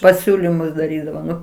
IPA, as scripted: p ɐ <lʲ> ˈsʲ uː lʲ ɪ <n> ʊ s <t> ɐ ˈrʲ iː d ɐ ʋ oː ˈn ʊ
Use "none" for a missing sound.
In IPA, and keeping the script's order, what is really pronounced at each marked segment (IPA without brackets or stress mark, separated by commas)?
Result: none, m, d